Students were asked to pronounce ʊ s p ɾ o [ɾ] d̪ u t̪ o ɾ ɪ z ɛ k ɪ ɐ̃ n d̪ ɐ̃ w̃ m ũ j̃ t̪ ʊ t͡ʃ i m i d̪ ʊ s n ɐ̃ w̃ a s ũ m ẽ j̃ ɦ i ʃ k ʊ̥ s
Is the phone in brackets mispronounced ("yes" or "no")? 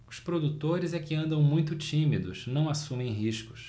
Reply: yes